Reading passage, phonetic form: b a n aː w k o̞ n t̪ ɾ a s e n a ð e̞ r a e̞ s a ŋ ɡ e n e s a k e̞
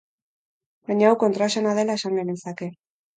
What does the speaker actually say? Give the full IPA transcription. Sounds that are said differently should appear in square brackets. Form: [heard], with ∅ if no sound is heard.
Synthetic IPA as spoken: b a [ɲ] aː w k o̞ n t̪ ɾ a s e n a ð e̞ [l] a e̞ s a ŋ ɡ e n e s a k e̞